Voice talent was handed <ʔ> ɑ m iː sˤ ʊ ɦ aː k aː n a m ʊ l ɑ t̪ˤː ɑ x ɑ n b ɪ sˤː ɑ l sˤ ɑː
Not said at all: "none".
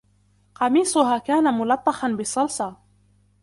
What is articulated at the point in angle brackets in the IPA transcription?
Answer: q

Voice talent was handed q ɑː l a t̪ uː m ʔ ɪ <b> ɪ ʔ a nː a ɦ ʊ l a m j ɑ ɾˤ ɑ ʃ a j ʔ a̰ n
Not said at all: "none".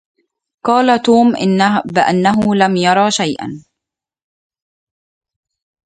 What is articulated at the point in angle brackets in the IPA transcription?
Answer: b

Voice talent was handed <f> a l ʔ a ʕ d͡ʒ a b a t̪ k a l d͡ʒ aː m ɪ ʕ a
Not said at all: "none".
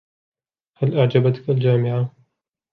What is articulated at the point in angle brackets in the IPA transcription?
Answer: h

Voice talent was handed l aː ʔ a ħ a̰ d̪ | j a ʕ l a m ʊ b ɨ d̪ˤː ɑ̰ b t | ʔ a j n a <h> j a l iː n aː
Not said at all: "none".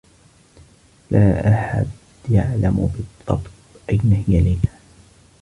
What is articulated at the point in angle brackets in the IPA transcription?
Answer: h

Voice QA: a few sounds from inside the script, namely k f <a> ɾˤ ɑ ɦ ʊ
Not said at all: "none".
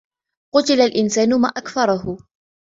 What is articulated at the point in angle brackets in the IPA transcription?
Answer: ɑ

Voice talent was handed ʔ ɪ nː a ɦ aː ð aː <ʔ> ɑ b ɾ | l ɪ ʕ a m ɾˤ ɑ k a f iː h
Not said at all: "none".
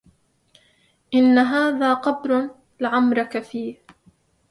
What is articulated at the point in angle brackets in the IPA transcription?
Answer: q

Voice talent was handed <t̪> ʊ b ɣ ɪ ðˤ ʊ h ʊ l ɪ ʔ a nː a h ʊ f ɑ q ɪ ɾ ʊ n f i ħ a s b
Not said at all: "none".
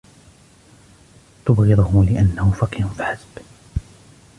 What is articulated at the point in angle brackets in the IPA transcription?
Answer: t̪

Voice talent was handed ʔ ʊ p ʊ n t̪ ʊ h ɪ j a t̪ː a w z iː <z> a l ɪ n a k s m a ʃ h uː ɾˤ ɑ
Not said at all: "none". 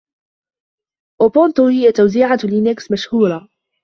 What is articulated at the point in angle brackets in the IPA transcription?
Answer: ʕ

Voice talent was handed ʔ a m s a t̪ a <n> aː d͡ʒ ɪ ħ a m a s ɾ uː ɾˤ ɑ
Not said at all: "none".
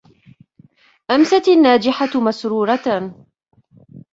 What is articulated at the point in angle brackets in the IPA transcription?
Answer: nː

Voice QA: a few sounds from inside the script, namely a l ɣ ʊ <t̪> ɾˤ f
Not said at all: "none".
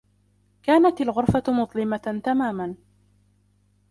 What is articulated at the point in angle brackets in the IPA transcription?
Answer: none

